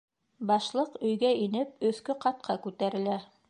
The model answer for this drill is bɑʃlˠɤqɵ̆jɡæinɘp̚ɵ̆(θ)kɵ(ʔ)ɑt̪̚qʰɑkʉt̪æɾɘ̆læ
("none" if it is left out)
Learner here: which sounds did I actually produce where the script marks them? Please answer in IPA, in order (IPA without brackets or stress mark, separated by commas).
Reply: θ, q